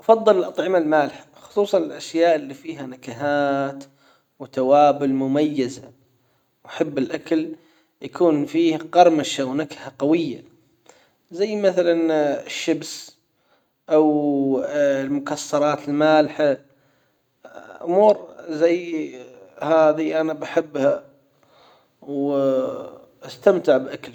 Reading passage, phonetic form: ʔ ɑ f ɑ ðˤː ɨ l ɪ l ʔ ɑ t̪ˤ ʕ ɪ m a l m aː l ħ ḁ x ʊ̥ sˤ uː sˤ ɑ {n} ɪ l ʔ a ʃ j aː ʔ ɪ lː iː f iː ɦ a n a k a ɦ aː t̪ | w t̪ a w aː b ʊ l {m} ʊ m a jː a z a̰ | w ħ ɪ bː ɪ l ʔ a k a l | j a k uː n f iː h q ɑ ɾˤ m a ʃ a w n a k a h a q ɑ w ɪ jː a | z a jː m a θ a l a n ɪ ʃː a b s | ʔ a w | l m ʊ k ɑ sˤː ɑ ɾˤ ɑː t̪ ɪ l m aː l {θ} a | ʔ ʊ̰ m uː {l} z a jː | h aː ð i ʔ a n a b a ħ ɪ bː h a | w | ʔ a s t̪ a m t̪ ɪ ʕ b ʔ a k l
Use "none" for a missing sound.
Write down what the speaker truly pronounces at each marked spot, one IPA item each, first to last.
n, m, ħ, ɾ

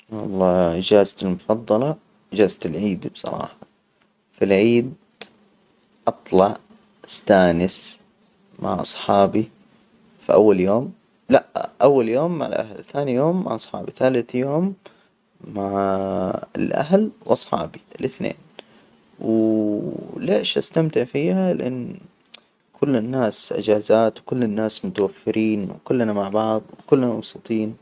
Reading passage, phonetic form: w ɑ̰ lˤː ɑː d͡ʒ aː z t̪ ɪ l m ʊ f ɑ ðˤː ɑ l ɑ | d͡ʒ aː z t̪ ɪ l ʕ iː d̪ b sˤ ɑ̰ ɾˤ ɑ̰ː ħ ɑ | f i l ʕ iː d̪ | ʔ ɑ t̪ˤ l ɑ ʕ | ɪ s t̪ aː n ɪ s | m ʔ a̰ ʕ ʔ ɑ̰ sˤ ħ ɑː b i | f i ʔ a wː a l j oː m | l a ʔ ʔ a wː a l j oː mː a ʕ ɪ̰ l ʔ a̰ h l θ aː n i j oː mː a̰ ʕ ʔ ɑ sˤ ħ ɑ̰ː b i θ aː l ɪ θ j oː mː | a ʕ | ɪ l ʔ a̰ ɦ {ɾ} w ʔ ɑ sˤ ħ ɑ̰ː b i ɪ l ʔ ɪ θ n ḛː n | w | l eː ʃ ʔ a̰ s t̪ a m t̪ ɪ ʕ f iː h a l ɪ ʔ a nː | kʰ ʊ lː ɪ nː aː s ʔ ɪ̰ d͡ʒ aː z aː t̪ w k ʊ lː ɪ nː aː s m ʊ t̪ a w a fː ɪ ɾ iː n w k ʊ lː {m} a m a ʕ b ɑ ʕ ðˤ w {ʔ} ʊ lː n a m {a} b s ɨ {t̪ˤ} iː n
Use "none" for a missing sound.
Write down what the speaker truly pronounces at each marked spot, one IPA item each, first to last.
l, n, k, ɑ, t̪ˤ

